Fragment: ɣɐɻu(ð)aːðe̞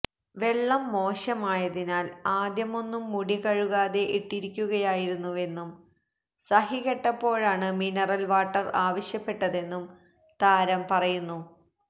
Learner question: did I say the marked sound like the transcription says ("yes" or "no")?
no